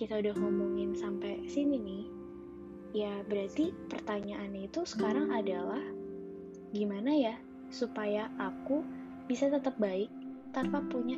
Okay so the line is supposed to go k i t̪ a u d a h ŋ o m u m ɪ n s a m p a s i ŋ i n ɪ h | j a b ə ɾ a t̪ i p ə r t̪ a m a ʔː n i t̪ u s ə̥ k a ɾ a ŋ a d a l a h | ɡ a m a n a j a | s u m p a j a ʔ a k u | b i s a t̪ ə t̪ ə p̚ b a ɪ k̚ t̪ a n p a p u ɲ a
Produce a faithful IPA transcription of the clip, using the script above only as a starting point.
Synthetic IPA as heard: k i t̪ a u d a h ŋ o m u ŋ ɪ n s a m p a s i n i n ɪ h | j a b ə ɾ a t̪ i p ə r t̪ a ɲ a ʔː n i t̪ u s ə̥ k a ɾ a ŋ a d a l a h | ɡ i m a n a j a | s u p a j a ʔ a k u | b i s a t̪ ə t̪ ə p̚ b a ɪ k̚ t̪ a n p a p u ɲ a